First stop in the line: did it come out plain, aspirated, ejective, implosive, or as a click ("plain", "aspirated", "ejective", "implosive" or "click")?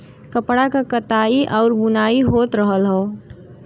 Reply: plain